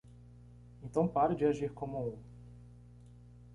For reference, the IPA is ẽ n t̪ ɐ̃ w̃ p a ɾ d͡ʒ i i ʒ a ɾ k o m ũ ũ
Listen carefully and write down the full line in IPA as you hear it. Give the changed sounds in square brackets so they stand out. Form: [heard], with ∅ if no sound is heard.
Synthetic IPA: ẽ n t̪ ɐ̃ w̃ p a ɾ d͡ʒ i [a] ʒ [i] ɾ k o m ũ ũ